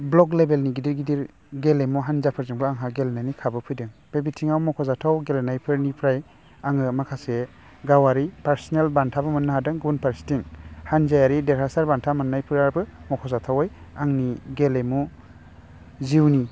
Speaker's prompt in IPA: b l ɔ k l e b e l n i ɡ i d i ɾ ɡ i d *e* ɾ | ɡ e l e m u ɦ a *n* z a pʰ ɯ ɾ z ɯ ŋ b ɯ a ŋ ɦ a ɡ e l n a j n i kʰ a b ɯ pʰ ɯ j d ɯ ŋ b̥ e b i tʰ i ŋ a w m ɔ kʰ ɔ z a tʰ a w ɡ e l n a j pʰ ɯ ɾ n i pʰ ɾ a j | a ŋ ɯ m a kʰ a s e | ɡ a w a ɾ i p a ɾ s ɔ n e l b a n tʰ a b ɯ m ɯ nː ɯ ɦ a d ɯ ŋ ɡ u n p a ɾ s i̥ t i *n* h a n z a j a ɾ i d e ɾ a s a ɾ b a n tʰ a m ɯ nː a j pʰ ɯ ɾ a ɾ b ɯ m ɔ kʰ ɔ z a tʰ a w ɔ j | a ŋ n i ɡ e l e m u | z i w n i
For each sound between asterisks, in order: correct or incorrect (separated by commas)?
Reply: incorrect, correct, incorrect